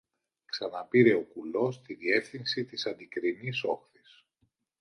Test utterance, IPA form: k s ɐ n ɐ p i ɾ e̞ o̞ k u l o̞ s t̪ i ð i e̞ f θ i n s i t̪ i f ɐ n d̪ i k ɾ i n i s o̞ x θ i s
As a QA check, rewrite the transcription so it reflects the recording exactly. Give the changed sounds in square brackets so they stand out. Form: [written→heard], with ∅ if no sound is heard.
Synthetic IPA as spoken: k s ɐ n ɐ p i ɾ e̞ o̞ k u l o̞ s t̪ i ð i e̞ f θ i n s i t̪ i [f→s] ɐ n d̪ i k ɾ i n i s o̞ x θ i s